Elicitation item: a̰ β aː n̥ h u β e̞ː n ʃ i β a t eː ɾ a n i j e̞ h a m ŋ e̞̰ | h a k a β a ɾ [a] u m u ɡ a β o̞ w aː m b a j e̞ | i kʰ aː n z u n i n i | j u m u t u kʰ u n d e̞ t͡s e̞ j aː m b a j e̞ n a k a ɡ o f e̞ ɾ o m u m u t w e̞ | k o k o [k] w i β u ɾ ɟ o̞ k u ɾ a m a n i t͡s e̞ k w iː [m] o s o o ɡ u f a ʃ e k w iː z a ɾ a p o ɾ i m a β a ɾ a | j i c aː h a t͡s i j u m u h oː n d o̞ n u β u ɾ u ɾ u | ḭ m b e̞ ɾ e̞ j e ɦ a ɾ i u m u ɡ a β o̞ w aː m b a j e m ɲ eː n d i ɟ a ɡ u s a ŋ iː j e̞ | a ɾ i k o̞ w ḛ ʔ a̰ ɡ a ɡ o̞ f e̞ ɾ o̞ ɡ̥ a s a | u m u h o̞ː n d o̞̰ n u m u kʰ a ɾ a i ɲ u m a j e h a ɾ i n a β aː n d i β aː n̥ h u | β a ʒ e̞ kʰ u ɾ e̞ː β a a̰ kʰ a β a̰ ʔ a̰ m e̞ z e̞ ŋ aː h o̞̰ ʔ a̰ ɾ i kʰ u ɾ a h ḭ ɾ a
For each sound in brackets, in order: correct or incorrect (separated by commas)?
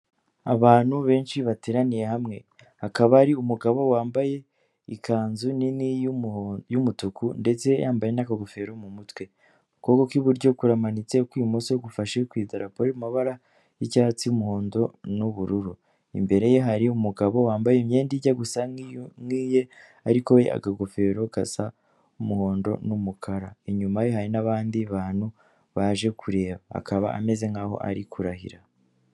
incorrect, correct, correct